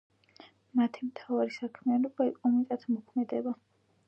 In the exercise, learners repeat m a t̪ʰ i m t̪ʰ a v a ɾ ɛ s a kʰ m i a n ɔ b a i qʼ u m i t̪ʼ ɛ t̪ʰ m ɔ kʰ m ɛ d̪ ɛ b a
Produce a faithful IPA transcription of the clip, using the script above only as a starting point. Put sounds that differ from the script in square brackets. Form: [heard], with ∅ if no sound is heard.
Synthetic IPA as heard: m a t̪ʰ i m t̪ʰ a v a ɾ [i] s a kʰ m i a n ɔ b a i qʼ [ɔ] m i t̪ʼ [a] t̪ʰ m ɔ kʰ m ɛ d̪ ɛ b a